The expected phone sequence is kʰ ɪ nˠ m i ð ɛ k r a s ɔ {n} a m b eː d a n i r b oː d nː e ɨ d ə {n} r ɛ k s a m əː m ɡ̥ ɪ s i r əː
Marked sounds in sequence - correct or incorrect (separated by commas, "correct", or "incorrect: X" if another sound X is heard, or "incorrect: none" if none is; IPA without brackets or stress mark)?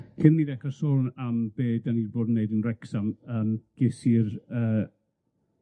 correct, correct